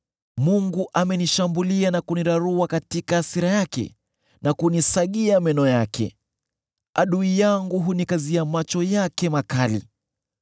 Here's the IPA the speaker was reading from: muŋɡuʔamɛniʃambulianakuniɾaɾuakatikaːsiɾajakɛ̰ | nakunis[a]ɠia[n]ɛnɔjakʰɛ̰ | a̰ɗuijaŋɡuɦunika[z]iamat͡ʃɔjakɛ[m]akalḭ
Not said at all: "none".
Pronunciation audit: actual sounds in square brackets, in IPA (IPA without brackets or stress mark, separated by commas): a, m, z, m